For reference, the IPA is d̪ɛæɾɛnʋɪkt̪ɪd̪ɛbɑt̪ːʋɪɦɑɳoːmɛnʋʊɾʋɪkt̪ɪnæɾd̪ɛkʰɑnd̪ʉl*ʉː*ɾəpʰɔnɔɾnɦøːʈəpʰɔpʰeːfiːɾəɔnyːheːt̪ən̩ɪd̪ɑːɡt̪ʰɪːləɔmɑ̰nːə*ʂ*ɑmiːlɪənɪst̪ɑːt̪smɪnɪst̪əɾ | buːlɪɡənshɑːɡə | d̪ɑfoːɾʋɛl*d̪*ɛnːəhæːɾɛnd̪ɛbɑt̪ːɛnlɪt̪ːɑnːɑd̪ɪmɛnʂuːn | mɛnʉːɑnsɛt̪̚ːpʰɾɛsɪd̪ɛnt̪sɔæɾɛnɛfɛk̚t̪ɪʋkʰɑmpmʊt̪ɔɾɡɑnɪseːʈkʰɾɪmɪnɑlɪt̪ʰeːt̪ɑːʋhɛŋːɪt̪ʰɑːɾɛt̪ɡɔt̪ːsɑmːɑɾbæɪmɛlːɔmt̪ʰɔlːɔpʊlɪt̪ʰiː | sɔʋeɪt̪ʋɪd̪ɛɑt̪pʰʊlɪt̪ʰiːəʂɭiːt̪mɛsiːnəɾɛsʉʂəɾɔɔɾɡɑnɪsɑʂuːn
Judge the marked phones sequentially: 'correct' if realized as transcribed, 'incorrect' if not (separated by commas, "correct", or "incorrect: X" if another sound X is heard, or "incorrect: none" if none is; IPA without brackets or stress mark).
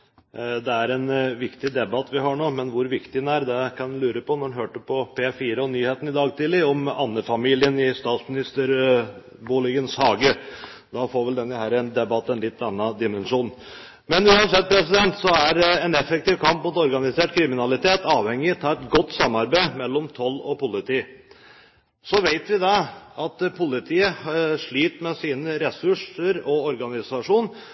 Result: correct, incorrect: f, correct